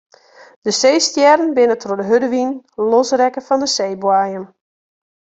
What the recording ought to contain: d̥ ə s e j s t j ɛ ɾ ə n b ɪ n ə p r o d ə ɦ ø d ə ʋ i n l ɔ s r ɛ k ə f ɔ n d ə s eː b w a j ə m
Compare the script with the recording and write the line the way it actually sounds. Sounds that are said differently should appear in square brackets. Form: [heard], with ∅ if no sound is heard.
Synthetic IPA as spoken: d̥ ə s e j s t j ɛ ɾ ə n b ɪ n ə [t] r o d ə ɦ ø d ə ʋ i n l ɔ s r ɛ k ə f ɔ n d ə s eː b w a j ə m